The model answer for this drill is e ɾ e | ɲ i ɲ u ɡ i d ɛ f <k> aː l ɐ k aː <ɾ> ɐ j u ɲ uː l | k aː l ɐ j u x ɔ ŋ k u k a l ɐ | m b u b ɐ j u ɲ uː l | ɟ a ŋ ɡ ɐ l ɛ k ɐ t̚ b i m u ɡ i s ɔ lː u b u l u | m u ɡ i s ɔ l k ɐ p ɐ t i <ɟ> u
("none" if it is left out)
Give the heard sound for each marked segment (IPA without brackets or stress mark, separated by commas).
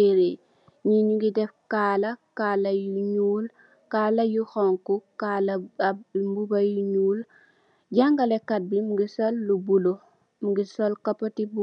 k, l, b